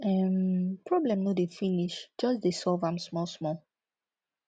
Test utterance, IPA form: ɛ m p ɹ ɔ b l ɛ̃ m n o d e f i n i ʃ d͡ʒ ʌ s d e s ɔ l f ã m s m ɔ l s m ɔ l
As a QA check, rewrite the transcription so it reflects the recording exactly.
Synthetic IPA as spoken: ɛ m p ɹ ɔ b l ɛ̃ m n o d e f i n i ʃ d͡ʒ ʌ s d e s ɔ l v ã m s m ɔ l s m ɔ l

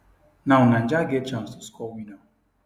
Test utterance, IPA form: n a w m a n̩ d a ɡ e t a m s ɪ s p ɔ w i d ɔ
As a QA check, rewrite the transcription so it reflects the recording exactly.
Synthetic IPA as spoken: n a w n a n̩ d͡ʒ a ɡ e t͡ʃ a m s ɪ s k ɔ w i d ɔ

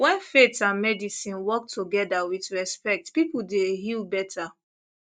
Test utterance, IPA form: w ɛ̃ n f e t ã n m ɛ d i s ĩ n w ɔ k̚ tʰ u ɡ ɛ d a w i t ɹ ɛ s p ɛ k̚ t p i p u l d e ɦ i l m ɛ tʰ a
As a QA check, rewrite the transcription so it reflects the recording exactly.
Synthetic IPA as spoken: w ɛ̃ n f e t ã n m ɛ d i s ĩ n w ɔ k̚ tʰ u ɡ ɛ d a w i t ɹ ɛ s p ɛ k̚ t p i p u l d e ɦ i l b ɛ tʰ a

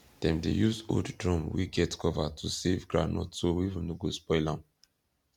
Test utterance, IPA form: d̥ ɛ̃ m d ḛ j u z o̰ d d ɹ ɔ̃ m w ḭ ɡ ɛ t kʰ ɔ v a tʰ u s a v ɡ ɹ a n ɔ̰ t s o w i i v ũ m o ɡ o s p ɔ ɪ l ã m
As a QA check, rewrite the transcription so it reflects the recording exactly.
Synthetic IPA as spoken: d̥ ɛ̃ m d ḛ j u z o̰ d d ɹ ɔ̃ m w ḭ ɡ ɛ t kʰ ɔ v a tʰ u s e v ɡ ɹ a n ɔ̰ t s o w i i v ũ n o ɡ o s p ɔ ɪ l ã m

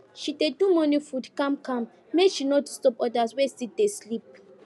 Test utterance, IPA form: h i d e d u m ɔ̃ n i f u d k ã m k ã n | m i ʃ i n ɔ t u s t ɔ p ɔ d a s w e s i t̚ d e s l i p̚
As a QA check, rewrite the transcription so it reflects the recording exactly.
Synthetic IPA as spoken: ʃ i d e d u m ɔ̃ n i f u d k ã m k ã m | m e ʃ i n ɔ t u s t ɔ p ɔ d a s w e s i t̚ d e s l i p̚

